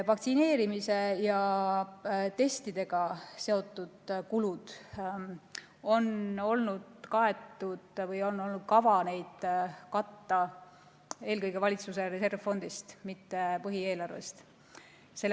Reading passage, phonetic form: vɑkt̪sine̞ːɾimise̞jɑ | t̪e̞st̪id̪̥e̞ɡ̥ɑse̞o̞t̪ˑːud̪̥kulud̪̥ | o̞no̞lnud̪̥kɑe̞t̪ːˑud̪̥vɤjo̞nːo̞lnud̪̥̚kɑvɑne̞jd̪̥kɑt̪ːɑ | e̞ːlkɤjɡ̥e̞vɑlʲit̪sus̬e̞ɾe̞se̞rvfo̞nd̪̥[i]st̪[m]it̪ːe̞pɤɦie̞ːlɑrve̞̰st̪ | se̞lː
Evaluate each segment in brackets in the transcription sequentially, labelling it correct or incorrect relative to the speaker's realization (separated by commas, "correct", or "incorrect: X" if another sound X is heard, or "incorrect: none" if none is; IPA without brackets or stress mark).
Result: correct, correct